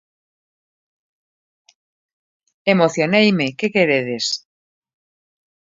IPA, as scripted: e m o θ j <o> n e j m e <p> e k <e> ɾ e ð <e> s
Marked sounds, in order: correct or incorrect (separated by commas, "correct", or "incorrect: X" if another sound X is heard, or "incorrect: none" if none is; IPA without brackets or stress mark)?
correct, incorrect: k, correct, correct